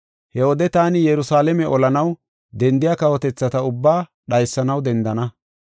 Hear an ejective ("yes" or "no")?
no